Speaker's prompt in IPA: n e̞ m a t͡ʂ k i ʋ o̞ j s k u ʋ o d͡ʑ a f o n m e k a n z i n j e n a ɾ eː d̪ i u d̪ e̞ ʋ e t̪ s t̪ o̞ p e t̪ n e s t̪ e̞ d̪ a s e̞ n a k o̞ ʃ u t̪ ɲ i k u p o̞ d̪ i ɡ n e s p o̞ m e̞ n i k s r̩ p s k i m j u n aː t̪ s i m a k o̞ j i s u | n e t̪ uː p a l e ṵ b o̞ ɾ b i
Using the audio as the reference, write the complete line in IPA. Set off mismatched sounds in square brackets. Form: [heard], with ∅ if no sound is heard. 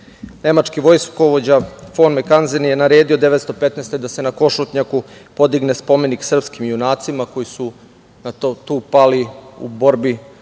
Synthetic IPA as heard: n e̞ m a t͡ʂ k i ʋ o̞ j s k [o] ʋ o d͡ʑ a f o n m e k a n z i n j e n a ɾ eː d̪ i [o] d̪ e̞ ʋ e t̪ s t̪ o̞ p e t̪ n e s t̪ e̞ d̪ a s e̞ n a k o̞ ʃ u t̪ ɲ [a] k u p o̞ d̪ i ɡ n e s p o̞ m e̞ n i k s r̩ p s k i m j u n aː t̪ s i m a k o̞ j i s u | n [a] t̪ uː p a l [i] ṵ b o̞ ɾ b i

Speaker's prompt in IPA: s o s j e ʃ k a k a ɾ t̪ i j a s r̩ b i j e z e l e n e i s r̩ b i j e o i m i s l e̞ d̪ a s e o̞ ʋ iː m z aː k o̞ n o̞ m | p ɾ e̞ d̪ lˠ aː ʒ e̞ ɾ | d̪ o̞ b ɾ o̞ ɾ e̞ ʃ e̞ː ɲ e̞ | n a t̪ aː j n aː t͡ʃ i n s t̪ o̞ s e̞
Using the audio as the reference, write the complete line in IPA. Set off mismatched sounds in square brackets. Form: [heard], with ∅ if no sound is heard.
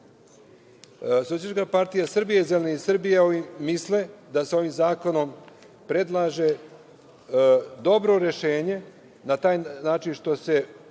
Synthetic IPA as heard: s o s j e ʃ k a [p] a ɾ t̪ i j a s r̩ b i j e z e l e n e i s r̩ b i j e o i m i s l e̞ d̪ a s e o̞ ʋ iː m z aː k o̞ n o̞ m | p ɾ e̞ d̪ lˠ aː ʒ e̞ [∅] | d̪ o̞ b ɾ o̞ ɾ e̞ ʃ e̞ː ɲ e̞ | n a t̪ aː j n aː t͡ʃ i n [ʃ] t̪ o̞ s e̞

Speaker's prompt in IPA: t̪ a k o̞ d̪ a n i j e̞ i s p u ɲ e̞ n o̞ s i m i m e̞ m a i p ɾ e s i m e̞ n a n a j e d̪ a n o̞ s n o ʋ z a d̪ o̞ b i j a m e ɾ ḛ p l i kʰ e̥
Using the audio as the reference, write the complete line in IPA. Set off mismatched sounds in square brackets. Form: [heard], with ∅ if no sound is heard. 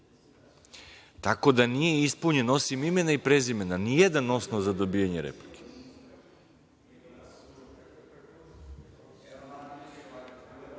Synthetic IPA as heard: t̪ a k o̞ d̪ a n i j e̞ i s p u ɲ e̞ n o̞ s i m i m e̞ [n] a i p ɾ e [z] i m e̞ n a n [i] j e d̪ a n o̞ s n o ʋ z a d̪ o̞ b i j a [ɲ] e ɾ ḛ p l i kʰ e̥

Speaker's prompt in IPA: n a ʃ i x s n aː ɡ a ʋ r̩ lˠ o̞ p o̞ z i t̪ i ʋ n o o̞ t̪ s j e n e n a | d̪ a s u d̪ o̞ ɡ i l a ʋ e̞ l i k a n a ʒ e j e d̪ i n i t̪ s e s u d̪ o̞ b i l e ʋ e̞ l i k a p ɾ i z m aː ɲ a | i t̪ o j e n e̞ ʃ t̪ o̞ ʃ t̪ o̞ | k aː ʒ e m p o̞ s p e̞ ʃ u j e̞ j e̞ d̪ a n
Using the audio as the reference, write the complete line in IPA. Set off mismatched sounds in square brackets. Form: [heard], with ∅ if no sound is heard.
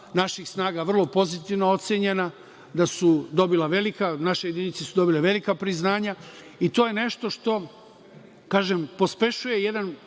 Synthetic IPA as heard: n a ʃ i x s n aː ɡ a ʋ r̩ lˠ o̞ p o̞ z i t̪ i ʋ n o o̞ t̪ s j e [ɲ] e n a | d̪ a s u d̪ o̞ [b] i l a ʋ e̞ l i k a n a [ʃ] e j e d̪ i n i t̪ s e s u d̪ o̞ b i l e ʋ e̞ l i k a p ɾ i z [n] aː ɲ a | i t̪ o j e n e̞ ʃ t̪ o̞ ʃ t̪ o̞ | k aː ʒ e m p o̞ s p e̞ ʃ u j e̞ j e̞ d̪ a n

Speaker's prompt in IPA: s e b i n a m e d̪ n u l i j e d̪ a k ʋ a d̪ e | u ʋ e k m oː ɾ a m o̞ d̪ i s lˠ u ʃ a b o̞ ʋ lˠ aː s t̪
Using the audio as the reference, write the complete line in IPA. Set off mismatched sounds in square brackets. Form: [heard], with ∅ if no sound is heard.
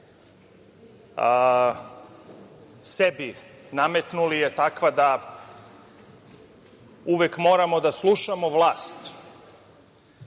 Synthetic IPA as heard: s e b i n a m e [t̪] n u l i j e [t̪] a k ʋ a d̪ [a] | u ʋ e k m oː ɾ a m o̞ d̪ [a] s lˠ u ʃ a [m] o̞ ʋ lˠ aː s t̪

